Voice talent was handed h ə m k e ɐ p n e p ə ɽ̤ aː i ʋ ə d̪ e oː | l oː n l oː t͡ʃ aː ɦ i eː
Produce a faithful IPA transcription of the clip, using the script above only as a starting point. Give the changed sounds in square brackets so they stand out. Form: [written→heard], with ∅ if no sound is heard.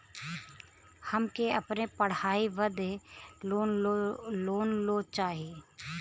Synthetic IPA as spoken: h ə m k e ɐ p n e p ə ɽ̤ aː i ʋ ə d̪ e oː | l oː n l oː t͡ʃ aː ɦ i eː